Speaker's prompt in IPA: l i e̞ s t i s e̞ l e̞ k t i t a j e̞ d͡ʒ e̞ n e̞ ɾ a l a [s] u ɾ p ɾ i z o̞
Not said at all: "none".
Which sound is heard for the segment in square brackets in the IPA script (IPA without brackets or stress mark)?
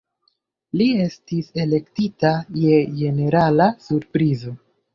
s